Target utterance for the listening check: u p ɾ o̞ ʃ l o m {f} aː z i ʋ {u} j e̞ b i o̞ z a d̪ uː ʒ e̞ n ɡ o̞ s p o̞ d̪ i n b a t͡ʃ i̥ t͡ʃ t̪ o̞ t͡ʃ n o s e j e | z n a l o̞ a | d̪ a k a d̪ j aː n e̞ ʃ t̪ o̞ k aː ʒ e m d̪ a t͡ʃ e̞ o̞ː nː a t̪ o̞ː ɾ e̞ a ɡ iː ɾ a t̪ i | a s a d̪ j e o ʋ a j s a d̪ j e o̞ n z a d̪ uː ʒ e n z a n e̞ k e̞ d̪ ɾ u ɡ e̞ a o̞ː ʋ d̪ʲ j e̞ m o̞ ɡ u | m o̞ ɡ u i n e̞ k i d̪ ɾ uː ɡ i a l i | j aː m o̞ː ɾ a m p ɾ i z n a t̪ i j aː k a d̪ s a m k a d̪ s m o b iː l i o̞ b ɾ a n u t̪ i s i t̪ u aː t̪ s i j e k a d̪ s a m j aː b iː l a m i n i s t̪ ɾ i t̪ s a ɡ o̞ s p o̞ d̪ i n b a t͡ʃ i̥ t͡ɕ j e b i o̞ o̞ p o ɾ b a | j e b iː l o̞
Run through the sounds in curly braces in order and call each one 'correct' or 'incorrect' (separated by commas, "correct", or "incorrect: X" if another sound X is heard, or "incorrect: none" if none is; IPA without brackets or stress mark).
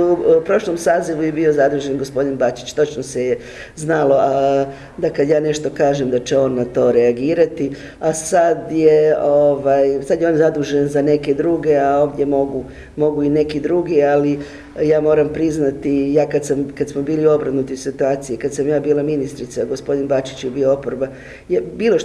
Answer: incorrect: s, correct